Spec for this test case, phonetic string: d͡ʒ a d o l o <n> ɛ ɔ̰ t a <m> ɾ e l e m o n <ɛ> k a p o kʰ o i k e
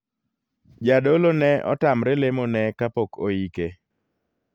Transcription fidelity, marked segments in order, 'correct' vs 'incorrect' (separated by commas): correct, correct, correct